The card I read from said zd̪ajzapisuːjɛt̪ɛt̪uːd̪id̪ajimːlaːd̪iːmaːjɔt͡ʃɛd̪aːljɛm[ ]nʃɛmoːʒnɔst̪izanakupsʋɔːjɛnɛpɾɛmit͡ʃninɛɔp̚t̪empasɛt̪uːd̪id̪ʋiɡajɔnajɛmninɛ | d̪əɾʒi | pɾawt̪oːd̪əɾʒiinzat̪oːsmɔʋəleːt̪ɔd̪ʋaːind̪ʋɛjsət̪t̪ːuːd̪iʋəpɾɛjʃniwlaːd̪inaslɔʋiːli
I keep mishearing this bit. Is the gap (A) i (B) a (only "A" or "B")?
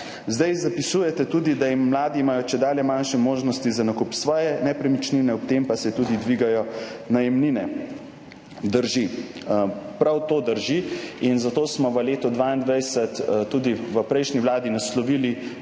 B